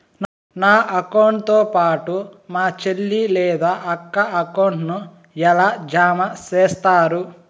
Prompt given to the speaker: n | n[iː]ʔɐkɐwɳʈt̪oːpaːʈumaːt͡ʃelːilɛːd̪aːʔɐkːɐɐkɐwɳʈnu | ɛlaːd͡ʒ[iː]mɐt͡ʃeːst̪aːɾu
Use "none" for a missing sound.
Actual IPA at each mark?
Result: aː, aː

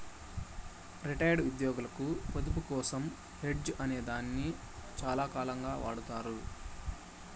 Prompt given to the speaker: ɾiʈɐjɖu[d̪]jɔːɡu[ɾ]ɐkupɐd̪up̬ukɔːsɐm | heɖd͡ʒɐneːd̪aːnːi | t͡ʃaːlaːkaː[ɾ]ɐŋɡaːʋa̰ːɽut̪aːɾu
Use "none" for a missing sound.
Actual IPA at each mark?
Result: d̪, l, l

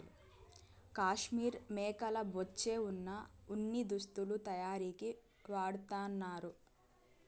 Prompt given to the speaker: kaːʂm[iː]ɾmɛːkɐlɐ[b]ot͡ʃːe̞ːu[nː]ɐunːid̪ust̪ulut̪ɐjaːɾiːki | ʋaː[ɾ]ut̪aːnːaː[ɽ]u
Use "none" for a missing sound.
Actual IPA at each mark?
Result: iː, b, nː, ɽ, ɾ

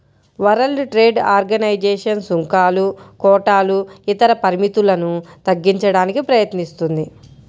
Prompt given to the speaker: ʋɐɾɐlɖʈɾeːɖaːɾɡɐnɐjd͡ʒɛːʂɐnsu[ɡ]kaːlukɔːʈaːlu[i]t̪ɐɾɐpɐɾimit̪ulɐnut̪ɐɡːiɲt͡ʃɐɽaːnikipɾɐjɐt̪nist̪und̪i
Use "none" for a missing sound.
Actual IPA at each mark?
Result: ŋ, i

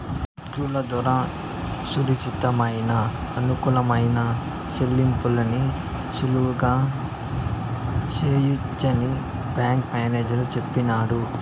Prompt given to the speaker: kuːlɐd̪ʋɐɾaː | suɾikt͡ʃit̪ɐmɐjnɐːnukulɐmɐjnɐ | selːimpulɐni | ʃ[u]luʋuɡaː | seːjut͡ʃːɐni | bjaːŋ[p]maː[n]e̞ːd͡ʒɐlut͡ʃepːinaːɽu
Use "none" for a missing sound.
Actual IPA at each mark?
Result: u, k, n

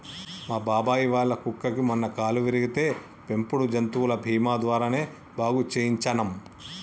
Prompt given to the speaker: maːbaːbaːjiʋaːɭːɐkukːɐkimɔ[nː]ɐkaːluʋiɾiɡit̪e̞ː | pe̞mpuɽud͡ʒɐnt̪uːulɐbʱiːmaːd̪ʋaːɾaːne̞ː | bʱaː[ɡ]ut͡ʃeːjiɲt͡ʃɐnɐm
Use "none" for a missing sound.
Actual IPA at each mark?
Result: nː, ɡ

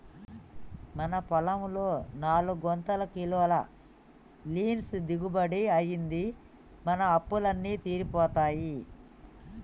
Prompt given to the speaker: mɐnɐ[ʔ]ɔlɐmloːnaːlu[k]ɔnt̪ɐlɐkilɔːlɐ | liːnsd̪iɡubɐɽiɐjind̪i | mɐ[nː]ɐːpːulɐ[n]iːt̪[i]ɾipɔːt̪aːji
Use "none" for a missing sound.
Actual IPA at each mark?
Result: p, ɡ, n, nː, iː

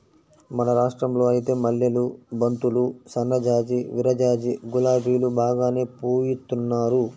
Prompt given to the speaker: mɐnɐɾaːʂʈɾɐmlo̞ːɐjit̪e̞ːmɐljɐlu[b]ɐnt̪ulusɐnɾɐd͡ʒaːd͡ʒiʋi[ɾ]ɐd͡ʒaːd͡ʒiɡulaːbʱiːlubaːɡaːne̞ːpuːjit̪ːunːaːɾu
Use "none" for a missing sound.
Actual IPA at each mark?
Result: b, ɾ

